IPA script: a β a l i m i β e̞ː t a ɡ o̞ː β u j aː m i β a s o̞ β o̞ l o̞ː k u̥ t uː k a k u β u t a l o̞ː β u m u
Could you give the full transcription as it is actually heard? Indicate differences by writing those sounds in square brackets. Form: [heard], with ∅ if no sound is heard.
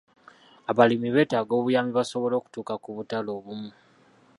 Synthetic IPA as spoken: a β a l i m i β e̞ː t a ɡ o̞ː β u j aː m i β a s o̞ β o̞ l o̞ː k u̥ t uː k a k u β u t a l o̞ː β u m u